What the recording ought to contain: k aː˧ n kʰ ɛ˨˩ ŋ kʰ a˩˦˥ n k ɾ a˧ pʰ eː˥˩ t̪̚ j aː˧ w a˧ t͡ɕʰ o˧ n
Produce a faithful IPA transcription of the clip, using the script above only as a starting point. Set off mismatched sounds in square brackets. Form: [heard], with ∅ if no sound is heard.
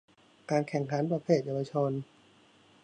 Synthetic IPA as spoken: k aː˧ n kʰ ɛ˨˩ ŋ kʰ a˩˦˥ n [p] ɾ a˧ pʰ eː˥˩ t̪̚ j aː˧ w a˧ t͡ɕʰ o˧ n